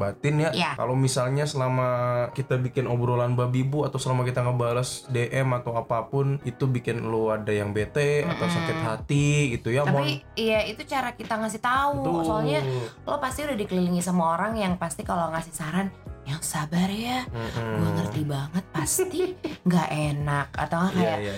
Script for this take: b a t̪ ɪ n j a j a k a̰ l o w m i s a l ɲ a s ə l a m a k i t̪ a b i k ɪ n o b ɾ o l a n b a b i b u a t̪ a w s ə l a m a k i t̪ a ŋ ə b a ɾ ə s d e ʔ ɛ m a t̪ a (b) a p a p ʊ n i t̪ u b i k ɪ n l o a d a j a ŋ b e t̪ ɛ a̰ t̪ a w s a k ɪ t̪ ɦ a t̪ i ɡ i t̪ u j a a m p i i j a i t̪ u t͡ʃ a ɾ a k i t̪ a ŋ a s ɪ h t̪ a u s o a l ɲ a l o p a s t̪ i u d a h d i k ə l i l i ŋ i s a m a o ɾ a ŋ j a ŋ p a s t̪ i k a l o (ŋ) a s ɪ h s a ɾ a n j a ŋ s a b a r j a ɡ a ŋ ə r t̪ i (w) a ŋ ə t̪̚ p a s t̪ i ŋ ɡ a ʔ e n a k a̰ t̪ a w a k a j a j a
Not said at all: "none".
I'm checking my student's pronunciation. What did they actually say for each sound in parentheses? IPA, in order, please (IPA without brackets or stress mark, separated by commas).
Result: w, ŋ, b